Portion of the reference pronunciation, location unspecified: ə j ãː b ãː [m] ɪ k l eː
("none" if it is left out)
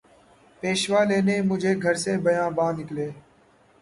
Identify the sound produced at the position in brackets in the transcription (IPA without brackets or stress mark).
n